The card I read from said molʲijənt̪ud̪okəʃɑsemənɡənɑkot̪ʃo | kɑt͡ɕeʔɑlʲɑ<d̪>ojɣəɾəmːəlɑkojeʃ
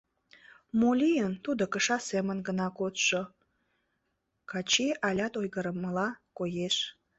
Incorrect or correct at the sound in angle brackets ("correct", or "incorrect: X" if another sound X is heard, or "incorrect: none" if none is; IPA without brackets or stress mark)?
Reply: incorrect: t̪